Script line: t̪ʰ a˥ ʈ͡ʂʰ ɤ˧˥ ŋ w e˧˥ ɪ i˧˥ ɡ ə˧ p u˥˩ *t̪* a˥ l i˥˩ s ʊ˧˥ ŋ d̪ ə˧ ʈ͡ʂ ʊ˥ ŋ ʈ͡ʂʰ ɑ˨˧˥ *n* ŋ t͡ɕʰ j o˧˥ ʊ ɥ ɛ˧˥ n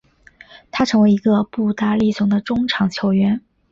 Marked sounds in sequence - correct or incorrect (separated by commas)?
correct, incorrect